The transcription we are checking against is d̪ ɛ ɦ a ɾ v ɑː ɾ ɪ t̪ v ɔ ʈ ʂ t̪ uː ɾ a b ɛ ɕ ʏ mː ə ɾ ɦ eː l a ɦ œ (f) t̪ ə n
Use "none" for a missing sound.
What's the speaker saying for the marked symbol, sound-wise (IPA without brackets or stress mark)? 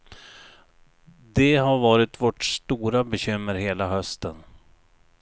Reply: s